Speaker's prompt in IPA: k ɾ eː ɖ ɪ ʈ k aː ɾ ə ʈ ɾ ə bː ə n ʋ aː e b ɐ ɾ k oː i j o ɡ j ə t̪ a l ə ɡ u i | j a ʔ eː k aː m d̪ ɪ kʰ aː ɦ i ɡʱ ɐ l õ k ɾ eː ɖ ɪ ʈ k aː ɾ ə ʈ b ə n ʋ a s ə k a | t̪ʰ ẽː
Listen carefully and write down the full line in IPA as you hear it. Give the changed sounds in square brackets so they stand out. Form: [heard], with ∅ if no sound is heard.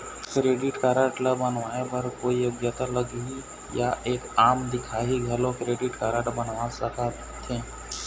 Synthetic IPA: k ɾ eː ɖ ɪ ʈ k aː ɾ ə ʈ [l] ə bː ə n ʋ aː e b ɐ ɾ k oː i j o ɡ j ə t̪ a l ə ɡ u i | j a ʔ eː k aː m d̪ ɪ kʰ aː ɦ i ɡʱ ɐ l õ k ɾ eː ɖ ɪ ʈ k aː ɾ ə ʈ b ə n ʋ a s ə k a | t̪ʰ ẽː